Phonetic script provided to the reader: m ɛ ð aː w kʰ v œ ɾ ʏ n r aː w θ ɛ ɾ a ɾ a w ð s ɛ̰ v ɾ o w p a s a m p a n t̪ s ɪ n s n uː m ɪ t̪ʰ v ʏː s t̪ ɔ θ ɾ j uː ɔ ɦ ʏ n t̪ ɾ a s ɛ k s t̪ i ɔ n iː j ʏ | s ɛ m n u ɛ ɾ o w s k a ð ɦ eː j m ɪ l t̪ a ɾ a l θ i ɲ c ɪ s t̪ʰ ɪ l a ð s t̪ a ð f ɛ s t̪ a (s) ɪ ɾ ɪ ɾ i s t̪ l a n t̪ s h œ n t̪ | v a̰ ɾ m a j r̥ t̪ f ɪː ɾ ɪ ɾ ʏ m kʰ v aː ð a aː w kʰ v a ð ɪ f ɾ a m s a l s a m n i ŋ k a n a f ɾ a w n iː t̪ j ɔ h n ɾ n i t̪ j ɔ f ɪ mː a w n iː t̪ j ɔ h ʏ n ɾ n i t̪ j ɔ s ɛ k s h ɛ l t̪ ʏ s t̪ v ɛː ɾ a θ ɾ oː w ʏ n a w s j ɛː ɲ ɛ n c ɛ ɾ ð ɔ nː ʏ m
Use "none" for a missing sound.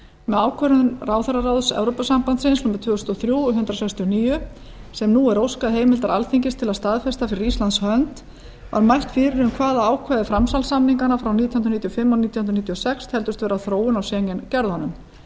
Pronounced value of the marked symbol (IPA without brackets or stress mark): f